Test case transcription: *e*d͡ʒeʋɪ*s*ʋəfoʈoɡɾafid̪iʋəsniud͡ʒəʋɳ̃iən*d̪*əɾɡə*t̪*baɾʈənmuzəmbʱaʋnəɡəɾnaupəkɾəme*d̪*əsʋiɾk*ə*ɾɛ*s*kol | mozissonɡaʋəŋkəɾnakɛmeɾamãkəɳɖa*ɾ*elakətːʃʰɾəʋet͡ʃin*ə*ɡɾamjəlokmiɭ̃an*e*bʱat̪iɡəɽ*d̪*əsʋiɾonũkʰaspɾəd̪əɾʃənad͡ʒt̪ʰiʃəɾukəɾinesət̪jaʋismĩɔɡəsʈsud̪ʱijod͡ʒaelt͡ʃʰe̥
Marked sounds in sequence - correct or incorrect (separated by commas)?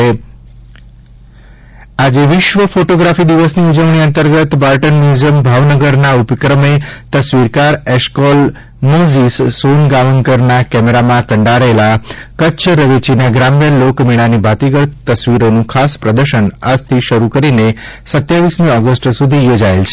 incorrect, incorrect, incorrect, correct, incorrect, incorrect, incorrect, correct, incorrect, incorrect, incorrect